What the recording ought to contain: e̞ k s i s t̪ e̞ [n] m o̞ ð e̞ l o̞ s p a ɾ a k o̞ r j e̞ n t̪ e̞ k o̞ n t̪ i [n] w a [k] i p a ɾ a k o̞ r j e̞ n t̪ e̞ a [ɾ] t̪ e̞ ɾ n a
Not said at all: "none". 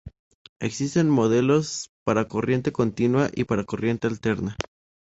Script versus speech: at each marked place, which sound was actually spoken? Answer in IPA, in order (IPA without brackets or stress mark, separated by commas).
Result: n, n, ʔ, l